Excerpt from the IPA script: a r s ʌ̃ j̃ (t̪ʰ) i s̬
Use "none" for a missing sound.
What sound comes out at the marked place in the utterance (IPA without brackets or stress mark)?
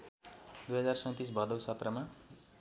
t̪